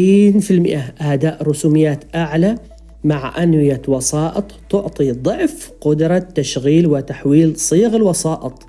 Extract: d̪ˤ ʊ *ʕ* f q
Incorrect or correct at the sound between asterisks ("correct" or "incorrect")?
correct